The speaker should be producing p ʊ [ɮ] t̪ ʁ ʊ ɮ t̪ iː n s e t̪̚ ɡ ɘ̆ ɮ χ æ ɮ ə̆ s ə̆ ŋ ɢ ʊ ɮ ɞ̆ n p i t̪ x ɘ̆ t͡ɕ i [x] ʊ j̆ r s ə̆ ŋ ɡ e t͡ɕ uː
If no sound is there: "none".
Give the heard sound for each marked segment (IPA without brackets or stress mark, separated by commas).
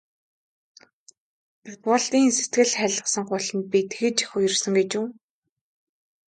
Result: none, x